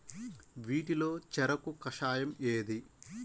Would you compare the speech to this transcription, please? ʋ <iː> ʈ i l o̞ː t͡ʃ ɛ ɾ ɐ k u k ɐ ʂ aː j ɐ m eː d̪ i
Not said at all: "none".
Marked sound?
iː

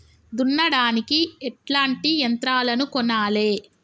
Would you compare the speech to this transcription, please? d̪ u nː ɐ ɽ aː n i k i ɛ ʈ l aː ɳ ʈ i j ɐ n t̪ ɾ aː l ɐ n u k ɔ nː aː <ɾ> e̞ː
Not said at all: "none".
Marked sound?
l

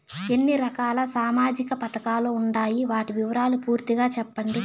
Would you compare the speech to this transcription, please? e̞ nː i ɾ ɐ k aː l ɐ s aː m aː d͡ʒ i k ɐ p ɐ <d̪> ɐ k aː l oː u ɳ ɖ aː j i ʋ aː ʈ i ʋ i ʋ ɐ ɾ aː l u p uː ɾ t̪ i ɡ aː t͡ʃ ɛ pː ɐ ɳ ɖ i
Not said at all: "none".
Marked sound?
t̪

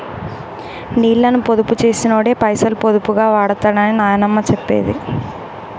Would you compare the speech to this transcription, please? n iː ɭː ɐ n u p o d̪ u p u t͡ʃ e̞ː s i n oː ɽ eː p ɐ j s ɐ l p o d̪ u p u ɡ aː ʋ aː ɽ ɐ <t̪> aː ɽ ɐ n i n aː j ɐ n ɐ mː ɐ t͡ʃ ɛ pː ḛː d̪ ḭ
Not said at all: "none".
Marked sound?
t̪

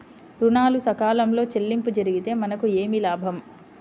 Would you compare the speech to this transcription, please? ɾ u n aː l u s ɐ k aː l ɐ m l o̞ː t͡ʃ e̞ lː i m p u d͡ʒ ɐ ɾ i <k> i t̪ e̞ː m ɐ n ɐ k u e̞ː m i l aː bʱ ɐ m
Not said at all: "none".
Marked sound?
ɡ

